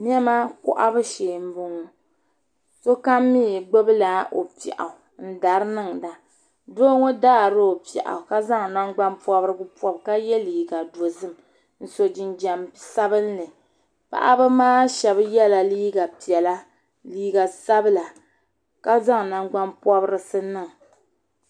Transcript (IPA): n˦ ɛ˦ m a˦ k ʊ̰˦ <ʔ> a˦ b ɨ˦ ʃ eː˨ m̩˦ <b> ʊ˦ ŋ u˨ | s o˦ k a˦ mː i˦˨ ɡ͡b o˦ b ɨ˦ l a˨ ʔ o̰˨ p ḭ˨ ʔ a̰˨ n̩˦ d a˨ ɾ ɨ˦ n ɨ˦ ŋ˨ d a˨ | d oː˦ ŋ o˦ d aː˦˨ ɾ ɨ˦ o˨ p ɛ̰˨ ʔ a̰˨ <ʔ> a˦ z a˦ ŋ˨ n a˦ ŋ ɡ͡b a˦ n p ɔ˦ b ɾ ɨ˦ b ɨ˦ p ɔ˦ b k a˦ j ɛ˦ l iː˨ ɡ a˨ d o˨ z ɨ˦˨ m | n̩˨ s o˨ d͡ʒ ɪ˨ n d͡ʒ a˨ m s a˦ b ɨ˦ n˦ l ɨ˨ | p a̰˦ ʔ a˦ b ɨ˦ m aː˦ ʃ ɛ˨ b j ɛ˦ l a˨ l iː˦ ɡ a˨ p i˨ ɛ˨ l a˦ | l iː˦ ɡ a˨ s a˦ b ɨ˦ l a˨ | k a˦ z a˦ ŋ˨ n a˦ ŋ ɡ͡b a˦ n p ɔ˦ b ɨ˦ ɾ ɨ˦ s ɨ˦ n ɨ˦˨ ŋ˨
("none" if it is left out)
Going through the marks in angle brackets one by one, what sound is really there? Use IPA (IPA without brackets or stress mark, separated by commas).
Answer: ʔ, b, k